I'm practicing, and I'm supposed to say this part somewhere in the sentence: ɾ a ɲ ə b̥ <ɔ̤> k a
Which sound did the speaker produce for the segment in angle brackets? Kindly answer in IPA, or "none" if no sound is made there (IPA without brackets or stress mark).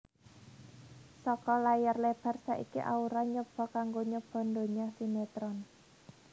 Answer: ɔ̤